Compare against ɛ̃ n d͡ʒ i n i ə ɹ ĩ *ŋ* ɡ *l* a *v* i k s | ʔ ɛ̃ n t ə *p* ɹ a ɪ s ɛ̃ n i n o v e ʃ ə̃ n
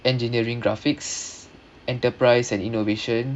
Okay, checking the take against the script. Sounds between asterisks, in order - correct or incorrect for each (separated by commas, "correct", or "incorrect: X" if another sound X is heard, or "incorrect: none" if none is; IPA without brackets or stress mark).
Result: correct, incorrect: ɹ, incorrect: f, correct